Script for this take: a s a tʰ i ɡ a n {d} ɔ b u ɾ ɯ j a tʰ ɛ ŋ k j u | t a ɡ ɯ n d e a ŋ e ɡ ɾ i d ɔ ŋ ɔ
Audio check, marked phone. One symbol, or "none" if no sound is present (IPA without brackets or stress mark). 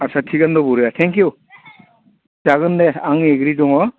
d